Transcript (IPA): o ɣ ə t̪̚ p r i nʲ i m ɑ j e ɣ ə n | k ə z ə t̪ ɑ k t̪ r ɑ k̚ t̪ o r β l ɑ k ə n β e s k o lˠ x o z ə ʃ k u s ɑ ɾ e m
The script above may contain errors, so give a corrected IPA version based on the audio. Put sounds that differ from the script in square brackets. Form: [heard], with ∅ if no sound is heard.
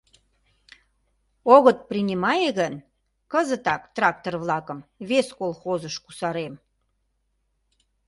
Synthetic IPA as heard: o ɣ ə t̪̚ p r i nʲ i m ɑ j e ɣ ə n | k ə z ə t̪ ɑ k t̪ r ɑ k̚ t̪ o r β l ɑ k ə [m] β e s k o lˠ x o z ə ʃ k u s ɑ ɾ e m